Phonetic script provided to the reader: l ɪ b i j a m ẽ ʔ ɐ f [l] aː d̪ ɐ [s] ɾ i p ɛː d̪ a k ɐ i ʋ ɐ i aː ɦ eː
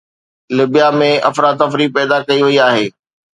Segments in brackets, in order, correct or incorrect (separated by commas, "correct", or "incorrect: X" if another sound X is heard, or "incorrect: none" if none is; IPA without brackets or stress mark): incorrect: ɾ, incorrect: f